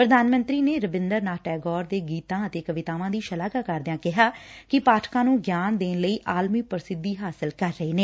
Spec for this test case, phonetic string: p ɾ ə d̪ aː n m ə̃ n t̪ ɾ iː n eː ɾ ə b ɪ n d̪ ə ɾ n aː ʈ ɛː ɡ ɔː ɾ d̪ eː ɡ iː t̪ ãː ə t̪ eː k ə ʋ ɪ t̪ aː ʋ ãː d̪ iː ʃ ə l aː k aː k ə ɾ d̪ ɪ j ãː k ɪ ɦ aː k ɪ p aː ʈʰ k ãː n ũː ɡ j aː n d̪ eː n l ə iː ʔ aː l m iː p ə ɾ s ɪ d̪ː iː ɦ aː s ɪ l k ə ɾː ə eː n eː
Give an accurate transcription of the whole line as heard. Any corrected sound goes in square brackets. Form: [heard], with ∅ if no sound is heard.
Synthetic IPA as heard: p ɾ ə d̪ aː n m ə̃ n t̪ ɾ iː n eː ɾ ə b ɪ n d̪ ə ɾ n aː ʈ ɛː ɡ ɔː ɾ d̪ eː ɡ iː t̪ ãː ə t̪ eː k ə ʋ ɪ t̪ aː ʋ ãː d̪ iː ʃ ə l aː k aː k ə ɾ d̪ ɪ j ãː k ɪ ɦ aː k ɪ p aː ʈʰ k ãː n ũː ɡ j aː n d̪ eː n l ə iː ʔ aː l m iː p ə ɾ s ɪ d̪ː iː ɦ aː s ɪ l k ə ɾː ə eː n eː

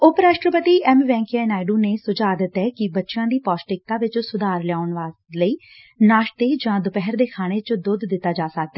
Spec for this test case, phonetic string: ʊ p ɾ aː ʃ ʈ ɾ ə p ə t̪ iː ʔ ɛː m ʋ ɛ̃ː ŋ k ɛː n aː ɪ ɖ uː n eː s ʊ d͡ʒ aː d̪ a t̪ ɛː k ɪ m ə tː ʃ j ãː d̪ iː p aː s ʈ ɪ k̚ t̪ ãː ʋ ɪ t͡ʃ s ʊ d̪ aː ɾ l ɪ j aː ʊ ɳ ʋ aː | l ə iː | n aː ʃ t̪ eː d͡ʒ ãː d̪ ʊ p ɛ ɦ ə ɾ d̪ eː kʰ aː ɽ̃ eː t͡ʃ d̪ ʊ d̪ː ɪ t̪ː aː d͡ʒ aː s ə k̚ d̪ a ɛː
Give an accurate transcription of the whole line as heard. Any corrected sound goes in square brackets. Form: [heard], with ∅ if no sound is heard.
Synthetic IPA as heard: ʊ p ɾ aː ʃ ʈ ɾ ə p ə t̪ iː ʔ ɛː m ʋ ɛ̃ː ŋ k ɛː n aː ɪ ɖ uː n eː s ʊ d͡ʒ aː d̪ [ə] t̪ ɛː k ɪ [b] ə tː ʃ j ãː d̪ iː p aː s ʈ ɪ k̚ t̪ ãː ʋ ɪ t͡ʃ s ʊ d̪ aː ɾ l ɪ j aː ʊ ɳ ʋ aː | l ə iː | n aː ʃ t̪ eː d͡ʒ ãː d̪ ʊ p ɛ ɦ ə ɾ d̪ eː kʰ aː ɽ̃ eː t͡ʃ d̪ ʊ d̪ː ɪ t̪ː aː d͡ʒ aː s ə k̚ d̪ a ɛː

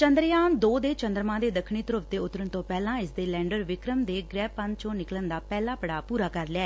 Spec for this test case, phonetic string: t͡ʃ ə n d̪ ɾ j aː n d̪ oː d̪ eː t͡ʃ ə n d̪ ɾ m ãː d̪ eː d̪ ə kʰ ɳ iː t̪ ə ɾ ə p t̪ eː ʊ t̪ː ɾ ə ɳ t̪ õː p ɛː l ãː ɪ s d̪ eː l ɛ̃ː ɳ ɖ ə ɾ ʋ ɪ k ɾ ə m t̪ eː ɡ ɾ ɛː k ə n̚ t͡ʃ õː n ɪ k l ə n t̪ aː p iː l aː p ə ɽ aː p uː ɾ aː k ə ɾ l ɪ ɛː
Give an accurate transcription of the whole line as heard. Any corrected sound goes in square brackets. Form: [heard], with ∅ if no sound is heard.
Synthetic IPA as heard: t͡ʃ ə n d̪ ɾ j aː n d̪ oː d̪ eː t͡ʃ ə n d̪ ɾ m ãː d̪ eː d̪ ə kʰ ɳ iː t̪ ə ɾ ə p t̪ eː ʊ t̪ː ɾ ə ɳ t̪ õː p ɛː l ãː ɪ s d̪ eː l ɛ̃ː ɳ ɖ ə ɾ ʋ ɪ k ɾ ə m [d̪] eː ɡ ɾ ɛː [p] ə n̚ t͡ʃ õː n ɪ k l ə n [d̪] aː p [ɛː] l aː p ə ɽ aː p uː ɾ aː k ə ɾ l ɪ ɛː

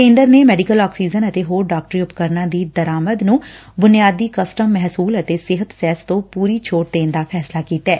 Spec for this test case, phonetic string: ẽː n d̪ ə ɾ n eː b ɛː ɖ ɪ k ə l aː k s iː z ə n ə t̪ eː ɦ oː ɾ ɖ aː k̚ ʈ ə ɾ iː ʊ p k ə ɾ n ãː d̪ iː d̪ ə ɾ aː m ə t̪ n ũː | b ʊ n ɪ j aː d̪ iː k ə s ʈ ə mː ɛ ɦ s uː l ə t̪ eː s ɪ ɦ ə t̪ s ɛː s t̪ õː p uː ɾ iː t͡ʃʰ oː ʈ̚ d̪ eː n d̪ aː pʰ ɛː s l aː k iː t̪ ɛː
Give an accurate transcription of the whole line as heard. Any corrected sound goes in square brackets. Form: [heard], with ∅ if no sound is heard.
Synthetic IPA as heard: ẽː n d̪ ə ɾ n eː [m] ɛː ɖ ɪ k ə l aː k s iː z ə n ə t̪ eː ɦ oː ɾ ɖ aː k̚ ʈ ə ɾ iː ʊ p k ə ɾ n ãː d̪ iː d̪ ə ɾ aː m ə [d̪] n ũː | b ʊ n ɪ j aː d̪ iː k ə s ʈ ə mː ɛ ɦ s uː l ə t̪ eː s ɪ ɦ ə t̪ s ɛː s t̪ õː p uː ɾ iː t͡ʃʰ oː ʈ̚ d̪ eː n d̪ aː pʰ ɛː s l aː k iː t̪ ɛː

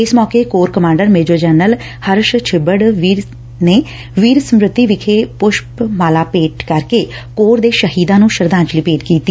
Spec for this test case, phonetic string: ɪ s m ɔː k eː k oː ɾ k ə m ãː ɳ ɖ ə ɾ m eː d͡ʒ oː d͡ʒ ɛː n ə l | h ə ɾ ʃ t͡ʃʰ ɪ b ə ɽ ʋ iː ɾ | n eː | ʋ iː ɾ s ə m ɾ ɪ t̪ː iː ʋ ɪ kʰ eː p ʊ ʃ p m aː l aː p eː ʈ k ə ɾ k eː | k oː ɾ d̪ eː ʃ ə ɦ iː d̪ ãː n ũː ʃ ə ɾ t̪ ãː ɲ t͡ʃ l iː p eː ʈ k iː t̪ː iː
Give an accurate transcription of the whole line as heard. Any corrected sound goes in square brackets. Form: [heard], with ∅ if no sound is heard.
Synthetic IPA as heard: ɪ s m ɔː k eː k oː ɾ k ə m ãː ɳ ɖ ə ɾ m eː d͡ʒ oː d͡ʒ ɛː n ə l | h ə ɾ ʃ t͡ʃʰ ɪ b ə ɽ ʋ iː ɾ | n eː | ʋ iː ɾ s ə m ɾ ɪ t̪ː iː ʋ ɪ kʰ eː p ʊ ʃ p m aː l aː p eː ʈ k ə ɾ k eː | k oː ɾ d̪ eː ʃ ə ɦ iː d̪ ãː n ũː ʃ ə ɾ [d̪] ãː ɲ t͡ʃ l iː p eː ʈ k iː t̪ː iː

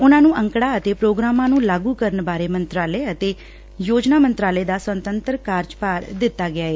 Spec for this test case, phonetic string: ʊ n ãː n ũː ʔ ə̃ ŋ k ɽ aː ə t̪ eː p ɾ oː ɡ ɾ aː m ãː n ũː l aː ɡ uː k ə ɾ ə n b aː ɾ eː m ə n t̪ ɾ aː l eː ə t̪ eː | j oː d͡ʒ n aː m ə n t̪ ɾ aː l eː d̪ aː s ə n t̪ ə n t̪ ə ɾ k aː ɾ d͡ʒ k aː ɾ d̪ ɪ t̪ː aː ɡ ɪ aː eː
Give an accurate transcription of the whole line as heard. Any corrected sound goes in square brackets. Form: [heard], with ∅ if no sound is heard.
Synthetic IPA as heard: ʊ n ãː n ũː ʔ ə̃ ŋ k ɽ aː ə t̪ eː p ɾ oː ɡ ɾ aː m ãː n ũː l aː ɡ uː k ə ɾ ə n b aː ɾ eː m ə n t̪ ɾ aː l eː ə t̪ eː | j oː d͡ʒ n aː m ə n t̪ ɾ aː l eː d̪ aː s ə n t̪ ə n t̪ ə ɾ k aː ɾ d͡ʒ [p] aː ɾ d̪ ɪ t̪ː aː ɡ ɪ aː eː

